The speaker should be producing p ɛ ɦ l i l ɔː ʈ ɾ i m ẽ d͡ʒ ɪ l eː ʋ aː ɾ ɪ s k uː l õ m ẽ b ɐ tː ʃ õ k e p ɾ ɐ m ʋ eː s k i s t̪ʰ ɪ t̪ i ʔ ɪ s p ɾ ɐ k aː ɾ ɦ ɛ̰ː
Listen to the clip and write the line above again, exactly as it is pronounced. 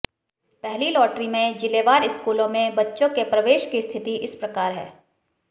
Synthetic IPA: p ɛ ɦ l i l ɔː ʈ ɾ i m ẽ d͡ʒ ɪ l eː ʋ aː ɾ ɪ s k uː l õ m ẽ b ɐ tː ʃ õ k e p ɾ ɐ ʋ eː ʃ k i s t̪ʰ ɪ t̪ i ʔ ɪ s p ɾ ɐ k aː ɾ ɦ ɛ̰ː